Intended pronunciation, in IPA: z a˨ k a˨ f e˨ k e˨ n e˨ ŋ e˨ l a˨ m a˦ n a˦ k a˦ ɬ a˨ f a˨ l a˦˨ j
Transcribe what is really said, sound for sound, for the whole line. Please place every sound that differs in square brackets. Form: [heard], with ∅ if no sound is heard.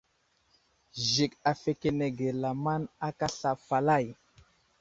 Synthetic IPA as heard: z [i˨] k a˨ f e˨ k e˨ n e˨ [ɡ] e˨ l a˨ m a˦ n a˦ k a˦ ɬ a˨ f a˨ l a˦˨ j